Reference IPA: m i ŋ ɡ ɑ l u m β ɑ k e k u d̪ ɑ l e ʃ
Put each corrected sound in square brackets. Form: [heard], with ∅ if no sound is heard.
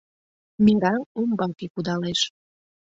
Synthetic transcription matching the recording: m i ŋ ɡ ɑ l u m [b] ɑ k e k u d̪ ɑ l e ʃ